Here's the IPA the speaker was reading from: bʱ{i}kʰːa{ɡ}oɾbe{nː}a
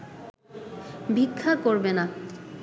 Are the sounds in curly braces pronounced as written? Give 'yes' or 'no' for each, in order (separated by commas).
yes, no, no